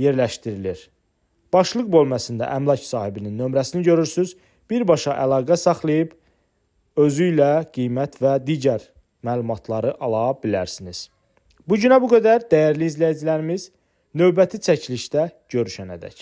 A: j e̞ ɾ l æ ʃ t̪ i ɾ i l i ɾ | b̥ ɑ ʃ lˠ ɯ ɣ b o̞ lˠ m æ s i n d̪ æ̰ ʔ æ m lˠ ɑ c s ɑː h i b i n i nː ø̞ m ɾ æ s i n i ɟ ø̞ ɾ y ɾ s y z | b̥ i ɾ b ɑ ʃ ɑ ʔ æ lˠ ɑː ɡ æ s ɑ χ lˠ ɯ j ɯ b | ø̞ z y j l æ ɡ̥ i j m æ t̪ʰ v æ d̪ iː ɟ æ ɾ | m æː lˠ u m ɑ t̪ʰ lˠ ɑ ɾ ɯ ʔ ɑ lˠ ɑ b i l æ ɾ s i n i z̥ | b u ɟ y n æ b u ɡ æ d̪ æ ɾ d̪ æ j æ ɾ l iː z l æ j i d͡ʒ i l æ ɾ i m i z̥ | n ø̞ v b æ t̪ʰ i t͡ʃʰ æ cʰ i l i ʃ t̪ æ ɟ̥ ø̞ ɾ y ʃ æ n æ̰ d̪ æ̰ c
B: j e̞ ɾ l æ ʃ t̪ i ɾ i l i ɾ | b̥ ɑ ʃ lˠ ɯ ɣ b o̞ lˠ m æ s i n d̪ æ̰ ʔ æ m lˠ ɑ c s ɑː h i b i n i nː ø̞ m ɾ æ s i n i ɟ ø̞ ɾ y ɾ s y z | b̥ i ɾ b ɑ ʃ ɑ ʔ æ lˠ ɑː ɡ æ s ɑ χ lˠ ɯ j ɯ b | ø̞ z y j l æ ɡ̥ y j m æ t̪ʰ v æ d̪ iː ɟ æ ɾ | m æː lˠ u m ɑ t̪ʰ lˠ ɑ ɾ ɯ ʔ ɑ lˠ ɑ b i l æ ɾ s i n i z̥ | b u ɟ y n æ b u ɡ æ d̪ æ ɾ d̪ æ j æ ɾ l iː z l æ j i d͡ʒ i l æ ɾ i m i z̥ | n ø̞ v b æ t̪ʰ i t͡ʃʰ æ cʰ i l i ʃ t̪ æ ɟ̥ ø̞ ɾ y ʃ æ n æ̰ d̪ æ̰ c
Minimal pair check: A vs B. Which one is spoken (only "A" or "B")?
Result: A